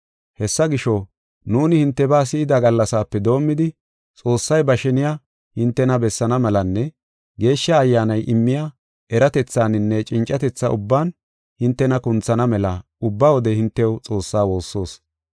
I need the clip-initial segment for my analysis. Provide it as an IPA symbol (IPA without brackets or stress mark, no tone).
h